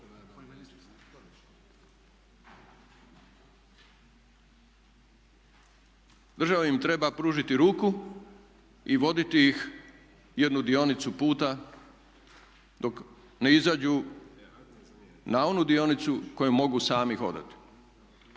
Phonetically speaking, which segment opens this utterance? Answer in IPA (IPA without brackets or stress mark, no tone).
d̪